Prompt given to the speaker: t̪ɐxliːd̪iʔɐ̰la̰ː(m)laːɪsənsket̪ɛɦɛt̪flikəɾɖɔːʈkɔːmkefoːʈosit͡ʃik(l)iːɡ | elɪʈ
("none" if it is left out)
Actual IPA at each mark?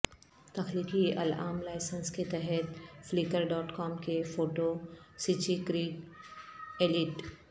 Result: m, ɾ

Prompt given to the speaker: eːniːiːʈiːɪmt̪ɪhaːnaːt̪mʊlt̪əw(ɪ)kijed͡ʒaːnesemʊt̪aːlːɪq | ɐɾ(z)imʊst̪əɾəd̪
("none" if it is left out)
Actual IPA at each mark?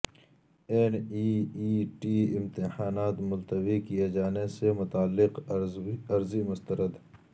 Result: i, z

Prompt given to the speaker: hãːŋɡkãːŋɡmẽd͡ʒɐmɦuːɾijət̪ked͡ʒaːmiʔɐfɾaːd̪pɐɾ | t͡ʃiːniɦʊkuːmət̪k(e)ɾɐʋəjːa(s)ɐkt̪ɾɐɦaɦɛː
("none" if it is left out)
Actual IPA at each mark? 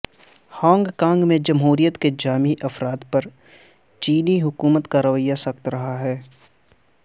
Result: a, s

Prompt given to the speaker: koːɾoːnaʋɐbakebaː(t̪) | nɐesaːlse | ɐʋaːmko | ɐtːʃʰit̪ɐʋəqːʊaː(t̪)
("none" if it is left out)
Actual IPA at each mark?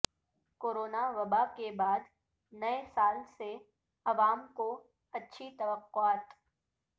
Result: d̪, t̪

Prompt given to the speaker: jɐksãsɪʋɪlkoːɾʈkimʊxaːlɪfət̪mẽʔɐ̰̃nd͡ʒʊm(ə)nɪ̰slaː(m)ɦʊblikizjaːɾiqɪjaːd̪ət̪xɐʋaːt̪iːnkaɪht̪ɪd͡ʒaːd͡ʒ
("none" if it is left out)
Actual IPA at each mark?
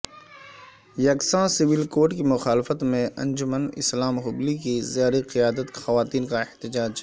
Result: ə, m

